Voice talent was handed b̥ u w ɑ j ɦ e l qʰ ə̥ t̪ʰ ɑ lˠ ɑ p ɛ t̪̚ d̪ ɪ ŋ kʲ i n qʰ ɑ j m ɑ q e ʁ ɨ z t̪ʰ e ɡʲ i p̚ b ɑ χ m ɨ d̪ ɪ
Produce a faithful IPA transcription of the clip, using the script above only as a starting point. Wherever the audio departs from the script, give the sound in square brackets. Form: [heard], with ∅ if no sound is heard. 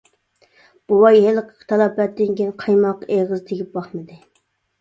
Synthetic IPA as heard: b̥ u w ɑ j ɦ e l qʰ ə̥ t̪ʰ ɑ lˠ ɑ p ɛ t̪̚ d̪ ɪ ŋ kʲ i n qʰ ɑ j m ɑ q e ʁ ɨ z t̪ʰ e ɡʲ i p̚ b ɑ χ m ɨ d̪ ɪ